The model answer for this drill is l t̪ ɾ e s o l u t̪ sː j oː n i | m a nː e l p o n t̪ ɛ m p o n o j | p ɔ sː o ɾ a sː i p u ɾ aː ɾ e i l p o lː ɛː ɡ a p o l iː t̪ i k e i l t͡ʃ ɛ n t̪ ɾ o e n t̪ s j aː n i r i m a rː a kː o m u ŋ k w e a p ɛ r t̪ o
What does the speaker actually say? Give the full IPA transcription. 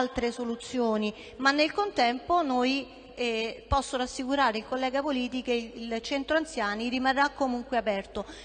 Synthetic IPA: l t̪ ɾ e s o l u t̪ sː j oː n i | m a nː e l k o n t̪ ɛ m p o n o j | p ɔ sː o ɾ a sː i k u ɾ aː ɾ e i l k o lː ɛː ɡ a p o l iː t̪ i k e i l t͡ʃ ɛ n t̪ ɾ o a n t̪ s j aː n i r i m a rː a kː o m u ŋ k w e a p ɛ r t̪ o

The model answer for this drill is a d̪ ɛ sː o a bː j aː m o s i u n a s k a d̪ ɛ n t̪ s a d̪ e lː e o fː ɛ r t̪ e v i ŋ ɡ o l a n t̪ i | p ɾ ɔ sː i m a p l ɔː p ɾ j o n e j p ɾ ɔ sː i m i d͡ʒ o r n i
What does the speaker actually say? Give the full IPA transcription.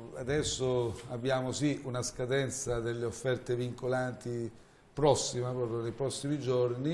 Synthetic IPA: a d̪ ɛ sː o a bː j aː m o s i u n a s k a d̪ ɛ n t̪ s a d̪ e lː e o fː ɛ r t̪ e v i ŋ k o l a n t̪ i | p ɾ ɔ sː i m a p ɾ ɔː p ɾ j o n e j p ɾ ɔ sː i m i d͡ʒ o r n i

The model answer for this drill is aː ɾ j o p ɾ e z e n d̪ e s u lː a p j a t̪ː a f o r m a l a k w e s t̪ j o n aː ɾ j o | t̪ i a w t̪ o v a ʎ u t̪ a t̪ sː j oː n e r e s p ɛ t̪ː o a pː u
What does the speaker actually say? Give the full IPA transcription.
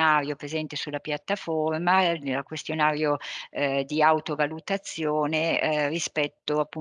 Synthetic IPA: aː ɾ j o p ɾ e z ɛ n t̪ e s u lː a p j a t̪ː a f o r m a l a k w e s t̪ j o n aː ɾ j o | d̪ i a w t̪ o v a l u t̪ a t̪ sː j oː n e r i s p ɛ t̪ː o a pː u

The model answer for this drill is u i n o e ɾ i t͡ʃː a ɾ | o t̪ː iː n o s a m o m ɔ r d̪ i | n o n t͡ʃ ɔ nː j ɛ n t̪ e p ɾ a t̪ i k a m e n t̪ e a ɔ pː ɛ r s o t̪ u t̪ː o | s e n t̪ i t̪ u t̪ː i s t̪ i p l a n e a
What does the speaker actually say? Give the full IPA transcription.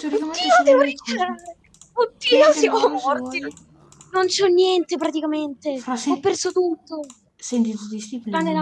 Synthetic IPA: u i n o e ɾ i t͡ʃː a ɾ | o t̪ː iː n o s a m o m ɔ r t̪ i | n o n t͡ʃ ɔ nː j ɛ n t̪ e p ɾ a t̪ i k a m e n t̪ e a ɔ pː ɛ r s o t̪ u t̪ː o | s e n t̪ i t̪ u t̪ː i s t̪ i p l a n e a

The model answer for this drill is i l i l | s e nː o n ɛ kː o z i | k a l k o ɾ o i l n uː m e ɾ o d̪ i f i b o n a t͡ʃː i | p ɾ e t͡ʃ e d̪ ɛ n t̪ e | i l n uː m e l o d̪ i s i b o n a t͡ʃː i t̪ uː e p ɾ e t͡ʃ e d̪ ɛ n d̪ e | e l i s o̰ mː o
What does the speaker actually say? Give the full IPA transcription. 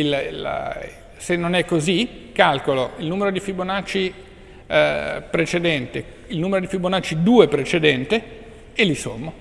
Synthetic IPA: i l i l | s e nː o n ɛ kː o z i | k a l k o l o i l n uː m e ɾ o d̪ i f i b o n a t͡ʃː i | p ɾ e t͡ʃ e d̪ ɛ n t̪ e | i l n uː m e ɾ o d̪ i f i b o n a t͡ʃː i d̪ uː e p ɾ e t͡ʃ e d̪ ɛ n t̪ e | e l i s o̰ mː o

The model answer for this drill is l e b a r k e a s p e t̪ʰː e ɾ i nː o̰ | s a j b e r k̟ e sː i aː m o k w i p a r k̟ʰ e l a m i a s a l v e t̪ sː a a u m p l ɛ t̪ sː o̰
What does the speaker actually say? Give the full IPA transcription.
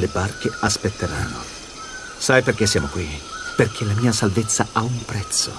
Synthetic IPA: l e b a r k e a s p e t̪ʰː e ɾ a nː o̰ | s a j p e r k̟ e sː j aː m o k w i p e r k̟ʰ e l a m iː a s a l v e t̪ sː a a u m p ɾ ɛ t̪ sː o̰

